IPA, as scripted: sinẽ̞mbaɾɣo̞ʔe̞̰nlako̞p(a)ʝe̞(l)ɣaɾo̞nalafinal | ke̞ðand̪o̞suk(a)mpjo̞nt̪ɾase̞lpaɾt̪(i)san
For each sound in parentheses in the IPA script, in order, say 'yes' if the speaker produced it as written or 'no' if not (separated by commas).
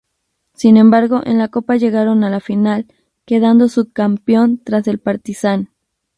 yes, no, yes, yes